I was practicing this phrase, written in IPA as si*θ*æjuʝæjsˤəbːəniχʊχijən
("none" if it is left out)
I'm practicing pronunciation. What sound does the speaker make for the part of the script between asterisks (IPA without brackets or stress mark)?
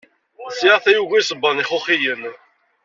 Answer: θ